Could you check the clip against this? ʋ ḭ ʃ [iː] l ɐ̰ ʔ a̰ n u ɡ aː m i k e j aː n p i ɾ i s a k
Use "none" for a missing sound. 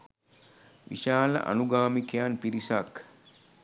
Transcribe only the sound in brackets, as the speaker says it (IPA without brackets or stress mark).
aː